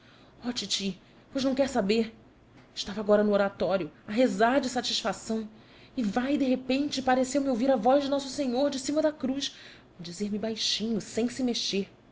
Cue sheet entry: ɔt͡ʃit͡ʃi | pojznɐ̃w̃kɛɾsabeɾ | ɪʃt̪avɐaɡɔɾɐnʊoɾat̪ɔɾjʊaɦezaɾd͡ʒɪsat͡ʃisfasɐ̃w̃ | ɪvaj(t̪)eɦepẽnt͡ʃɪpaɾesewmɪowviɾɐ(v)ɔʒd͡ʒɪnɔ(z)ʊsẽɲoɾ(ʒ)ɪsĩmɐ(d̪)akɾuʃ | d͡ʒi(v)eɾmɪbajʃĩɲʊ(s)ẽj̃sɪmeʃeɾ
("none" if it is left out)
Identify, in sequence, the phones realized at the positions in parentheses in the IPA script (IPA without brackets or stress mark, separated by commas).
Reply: d̪, v, s, d͡ʒ, d̪, z, s